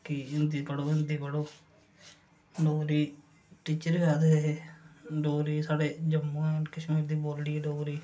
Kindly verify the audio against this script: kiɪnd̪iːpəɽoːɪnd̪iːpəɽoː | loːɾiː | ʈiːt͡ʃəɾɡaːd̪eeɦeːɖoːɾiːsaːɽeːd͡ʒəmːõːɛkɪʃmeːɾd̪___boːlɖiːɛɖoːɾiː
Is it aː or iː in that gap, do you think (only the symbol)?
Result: iː